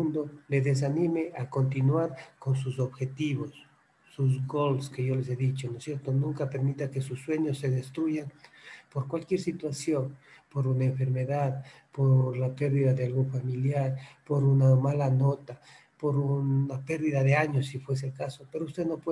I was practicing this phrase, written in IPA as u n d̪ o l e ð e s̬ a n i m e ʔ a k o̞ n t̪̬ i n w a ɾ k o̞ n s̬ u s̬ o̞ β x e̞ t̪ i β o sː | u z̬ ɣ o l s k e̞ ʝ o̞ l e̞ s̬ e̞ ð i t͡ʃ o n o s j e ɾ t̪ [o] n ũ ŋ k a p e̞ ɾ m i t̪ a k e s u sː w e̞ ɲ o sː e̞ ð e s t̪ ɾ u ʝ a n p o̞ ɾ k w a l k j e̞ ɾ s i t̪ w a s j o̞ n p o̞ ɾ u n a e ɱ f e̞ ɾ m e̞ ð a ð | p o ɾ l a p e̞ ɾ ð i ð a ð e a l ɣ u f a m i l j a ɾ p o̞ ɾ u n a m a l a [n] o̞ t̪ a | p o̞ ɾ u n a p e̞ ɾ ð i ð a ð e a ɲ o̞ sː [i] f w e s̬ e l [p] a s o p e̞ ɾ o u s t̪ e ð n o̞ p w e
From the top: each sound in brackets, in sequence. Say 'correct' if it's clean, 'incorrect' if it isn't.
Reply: correct, correct, correct, incorrect: k

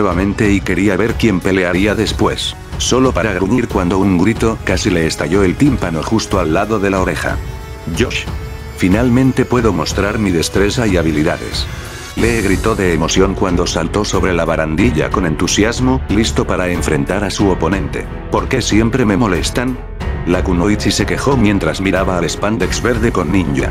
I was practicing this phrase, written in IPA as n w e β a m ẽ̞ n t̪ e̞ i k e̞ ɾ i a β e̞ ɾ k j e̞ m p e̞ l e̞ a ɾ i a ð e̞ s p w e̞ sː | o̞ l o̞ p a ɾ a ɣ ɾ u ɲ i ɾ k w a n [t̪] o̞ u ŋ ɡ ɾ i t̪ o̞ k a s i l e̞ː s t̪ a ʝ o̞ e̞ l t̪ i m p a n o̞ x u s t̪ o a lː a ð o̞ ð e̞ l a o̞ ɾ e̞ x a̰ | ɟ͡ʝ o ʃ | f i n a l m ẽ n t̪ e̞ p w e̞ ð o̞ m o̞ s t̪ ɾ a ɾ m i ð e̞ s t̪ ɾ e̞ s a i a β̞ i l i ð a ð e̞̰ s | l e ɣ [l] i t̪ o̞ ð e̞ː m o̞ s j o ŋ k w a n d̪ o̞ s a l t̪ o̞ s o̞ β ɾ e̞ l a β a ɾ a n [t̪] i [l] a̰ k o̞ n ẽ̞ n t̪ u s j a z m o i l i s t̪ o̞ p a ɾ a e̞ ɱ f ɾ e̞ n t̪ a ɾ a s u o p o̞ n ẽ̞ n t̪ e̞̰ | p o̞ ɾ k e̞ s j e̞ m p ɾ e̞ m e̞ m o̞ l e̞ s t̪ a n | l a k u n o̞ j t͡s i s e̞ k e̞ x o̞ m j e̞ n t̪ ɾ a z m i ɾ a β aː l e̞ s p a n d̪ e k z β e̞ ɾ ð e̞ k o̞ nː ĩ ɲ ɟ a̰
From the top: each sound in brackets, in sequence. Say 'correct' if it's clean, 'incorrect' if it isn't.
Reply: incorrect: d̪, incorrect: ɾ, incorrect: d̪, incorrect: ʎ

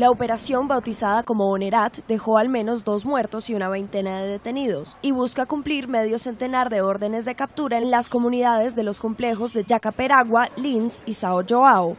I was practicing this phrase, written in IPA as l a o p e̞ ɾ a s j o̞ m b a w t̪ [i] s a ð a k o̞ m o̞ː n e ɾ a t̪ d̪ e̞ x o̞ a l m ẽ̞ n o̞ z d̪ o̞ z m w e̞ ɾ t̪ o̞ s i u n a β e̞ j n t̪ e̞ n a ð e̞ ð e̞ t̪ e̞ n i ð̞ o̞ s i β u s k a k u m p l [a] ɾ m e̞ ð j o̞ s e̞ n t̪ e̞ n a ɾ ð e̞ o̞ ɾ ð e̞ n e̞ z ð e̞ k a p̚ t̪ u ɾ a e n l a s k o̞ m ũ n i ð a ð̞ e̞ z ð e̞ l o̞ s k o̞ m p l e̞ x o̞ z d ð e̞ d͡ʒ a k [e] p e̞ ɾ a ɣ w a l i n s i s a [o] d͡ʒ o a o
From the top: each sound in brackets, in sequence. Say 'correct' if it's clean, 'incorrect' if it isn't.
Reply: correct, incorrect: i, incorrect: a, correct

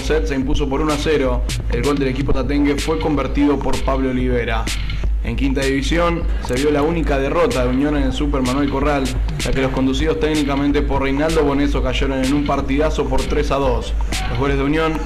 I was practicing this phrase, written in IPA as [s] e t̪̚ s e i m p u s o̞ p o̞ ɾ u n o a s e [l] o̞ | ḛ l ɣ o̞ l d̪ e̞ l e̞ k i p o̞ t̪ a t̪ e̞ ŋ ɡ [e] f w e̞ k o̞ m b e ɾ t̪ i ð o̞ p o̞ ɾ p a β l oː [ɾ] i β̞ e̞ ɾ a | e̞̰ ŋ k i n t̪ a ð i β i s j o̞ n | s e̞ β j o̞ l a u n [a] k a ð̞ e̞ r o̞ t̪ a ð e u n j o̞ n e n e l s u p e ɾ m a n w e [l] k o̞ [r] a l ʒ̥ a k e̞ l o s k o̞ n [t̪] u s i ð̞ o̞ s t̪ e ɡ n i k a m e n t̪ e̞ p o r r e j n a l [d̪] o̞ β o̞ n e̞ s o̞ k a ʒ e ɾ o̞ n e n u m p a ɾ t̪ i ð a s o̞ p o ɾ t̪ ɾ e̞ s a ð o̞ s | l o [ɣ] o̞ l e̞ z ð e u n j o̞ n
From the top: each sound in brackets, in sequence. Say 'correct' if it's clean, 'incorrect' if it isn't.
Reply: correct, incorrect: ɾ, correct, incorrect: l, incorrect: i, correct, correct, incorrect: d̪, correct, correct

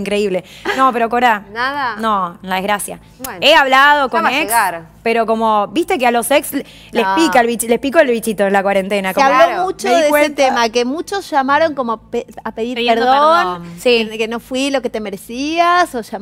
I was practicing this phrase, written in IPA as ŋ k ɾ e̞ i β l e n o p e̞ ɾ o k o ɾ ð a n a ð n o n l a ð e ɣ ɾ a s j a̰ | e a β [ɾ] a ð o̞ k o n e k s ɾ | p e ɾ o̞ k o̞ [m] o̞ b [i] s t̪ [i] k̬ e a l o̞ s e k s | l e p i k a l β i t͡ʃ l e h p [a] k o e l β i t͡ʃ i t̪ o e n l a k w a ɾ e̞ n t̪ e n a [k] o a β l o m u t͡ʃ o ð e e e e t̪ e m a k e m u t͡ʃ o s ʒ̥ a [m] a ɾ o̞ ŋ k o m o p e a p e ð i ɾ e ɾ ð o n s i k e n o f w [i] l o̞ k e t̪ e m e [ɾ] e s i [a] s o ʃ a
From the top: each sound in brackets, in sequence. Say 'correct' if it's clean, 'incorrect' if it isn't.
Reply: incorrect: l, correct, correct, incorrect: e, incorrect: i, correct, correct, correct, correct, correct

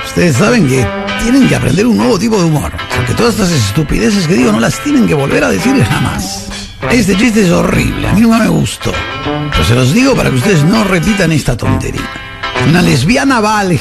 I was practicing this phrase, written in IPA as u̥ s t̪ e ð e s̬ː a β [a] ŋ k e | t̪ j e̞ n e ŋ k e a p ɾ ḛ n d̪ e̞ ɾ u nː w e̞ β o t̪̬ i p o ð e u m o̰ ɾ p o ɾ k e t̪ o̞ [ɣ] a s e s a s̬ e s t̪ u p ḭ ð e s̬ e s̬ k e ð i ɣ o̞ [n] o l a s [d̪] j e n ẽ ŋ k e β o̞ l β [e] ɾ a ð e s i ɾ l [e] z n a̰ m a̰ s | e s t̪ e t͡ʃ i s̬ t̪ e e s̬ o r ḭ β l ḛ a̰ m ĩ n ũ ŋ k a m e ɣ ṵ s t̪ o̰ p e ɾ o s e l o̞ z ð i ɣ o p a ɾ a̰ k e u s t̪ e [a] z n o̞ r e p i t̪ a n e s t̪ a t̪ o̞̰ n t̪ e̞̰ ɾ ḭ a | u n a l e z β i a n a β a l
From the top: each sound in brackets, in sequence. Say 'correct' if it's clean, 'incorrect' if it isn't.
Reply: incorrect: e, incorrect: ð, correct, incorrect: t̪, correct, correct, incorrect: e

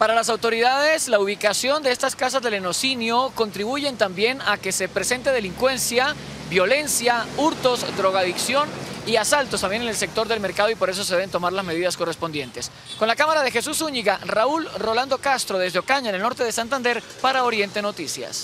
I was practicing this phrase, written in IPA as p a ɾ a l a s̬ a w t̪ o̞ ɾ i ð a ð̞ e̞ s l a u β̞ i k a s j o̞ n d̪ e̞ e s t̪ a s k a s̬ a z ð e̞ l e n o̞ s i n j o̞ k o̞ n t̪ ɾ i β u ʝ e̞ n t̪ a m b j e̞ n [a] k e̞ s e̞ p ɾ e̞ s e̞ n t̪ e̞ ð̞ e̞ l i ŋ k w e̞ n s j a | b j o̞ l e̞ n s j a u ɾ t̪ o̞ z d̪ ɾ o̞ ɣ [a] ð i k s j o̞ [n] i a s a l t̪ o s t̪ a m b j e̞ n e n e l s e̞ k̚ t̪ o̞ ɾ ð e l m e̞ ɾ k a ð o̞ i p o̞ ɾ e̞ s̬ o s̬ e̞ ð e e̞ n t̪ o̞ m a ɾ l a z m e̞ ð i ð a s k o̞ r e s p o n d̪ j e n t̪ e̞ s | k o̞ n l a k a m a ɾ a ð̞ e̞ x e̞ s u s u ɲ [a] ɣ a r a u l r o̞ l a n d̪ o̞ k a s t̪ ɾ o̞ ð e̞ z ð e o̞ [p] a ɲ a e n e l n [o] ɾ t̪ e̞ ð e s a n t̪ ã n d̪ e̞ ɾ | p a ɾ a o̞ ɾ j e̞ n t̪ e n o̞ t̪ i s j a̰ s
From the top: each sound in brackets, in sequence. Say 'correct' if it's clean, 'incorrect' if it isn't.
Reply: correct, correct, correct, incorrect: i, incorrect: k, correct

